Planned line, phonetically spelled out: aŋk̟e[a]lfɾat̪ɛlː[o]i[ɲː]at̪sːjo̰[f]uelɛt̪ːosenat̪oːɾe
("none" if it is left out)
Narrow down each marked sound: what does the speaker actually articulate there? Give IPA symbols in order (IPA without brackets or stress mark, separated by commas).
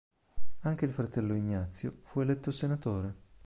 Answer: i, o, ɲː, f